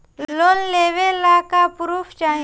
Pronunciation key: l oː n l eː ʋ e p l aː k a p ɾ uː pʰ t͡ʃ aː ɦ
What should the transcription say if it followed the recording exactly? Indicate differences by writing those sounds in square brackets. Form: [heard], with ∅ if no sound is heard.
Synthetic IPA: l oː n l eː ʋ e [∅] l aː k a p ɾ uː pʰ t͡ʃ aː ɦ